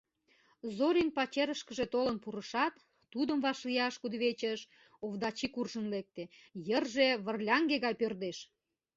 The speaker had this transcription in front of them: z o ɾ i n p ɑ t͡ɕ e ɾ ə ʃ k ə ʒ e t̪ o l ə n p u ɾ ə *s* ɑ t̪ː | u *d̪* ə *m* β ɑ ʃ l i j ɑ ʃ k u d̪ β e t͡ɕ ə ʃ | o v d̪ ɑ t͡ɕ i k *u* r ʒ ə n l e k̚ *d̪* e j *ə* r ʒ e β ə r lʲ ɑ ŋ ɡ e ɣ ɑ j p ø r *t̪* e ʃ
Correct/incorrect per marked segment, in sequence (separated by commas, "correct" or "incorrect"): incorrect, correct, correct, correct, incorrect, correct, incorrect